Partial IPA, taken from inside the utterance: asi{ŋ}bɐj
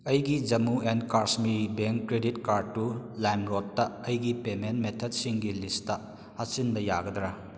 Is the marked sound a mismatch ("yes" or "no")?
yes